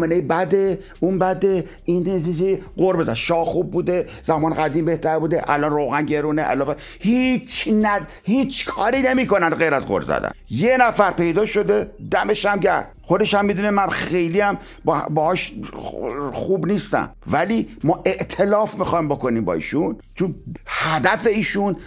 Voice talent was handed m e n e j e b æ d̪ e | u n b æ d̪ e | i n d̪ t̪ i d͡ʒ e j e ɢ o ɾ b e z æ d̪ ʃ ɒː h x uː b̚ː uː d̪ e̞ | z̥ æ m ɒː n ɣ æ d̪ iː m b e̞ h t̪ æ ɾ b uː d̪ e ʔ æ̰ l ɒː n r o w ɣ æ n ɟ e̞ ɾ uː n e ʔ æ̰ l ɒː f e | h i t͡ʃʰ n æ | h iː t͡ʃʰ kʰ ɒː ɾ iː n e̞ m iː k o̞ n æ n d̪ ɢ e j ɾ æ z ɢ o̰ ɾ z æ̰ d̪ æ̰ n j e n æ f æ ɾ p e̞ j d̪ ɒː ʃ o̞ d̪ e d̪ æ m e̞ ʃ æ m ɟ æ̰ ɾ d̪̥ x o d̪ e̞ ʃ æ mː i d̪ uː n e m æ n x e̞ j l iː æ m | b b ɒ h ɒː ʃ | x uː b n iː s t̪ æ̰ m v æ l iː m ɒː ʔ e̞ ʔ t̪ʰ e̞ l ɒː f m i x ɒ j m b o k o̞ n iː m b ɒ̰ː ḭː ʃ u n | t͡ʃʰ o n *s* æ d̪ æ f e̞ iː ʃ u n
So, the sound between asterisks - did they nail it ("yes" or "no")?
no